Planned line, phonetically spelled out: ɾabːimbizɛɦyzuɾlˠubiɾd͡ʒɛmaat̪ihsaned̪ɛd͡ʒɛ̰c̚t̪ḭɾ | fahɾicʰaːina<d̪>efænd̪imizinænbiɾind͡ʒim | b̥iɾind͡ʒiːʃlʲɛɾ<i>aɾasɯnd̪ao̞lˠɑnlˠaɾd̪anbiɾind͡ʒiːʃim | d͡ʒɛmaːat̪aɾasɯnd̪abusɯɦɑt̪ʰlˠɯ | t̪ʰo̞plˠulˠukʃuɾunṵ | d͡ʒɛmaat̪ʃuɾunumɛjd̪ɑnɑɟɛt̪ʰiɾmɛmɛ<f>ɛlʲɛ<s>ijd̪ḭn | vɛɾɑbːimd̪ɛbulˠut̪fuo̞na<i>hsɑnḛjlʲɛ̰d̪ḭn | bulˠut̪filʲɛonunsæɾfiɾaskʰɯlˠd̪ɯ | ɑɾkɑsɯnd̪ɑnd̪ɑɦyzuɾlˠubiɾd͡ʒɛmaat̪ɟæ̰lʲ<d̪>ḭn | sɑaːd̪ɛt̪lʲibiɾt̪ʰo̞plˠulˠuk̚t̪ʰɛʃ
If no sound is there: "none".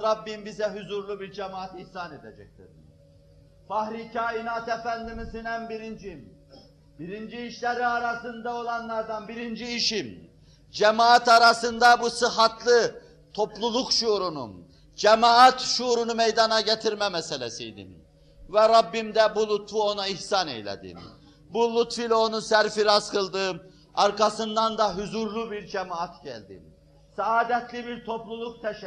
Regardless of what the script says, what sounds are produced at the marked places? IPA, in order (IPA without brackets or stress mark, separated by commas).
t̪, i, s, s, i, d̪